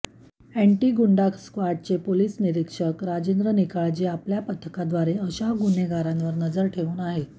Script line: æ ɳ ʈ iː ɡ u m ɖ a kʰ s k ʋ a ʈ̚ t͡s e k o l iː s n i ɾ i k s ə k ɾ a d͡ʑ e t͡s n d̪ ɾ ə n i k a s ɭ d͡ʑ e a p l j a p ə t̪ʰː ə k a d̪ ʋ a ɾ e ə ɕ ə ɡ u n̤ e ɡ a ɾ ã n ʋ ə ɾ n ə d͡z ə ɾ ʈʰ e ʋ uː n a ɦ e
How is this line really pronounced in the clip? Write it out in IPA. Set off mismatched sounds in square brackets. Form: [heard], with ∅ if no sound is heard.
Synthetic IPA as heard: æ ɳ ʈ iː ɡ u [ɳ] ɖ a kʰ s k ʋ a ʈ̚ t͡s e [p] o l iː s n i ɾ i k [ʂ] ə k ɾ a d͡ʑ e [∅] n d̪ ɾ ə n i k a [∅] ɭ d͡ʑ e a p l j a p ə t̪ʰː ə k a d̪ ʋ a ɾ e ə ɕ [a] ɡ u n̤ e ɡ a ɾ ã n ʋ ə ɾ n ə d͡z ə ɾ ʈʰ e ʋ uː n a ɦ e